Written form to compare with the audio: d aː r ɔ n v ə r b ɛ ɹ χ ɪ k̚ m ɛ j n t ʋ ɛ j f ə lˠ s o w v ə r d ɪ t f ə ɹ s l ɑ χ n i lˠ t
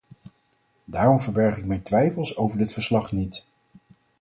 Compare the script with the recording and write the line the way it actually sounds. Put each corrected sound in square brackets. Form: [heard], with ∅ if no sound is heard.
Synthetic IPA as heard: d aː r ɔ [m] v ə [ɹ] b ɛ ɹ χ ɪ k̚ m ɛ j n t ʋ ɛ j f ə lˠ s o w v ə [ɹ] d ɪ t f ə ɹ s l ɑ χ n i [∅] t